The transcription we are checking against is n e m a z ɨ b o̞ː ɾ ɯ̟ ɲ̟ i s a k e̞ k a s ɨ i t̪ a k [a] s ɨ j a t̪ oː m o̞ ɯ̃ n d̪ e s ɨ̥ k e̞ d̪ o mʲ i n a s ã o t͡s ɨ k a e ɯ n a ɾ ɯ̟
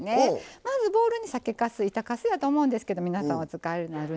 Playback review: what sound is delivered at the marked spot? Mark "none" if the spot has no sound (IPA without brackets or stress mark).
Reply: a